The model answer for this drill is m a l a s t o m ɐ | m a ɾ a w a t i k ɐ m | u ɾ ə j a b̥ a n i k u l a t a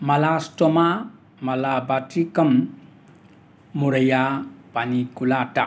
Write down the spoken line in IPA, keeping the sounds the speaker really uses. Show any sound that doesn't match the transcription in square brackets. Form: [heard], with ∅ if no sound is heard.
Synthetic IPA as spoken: m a l a s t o m [a] | m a [l] a [b] a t i k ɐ m | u ɾ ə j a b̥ a n i k u l a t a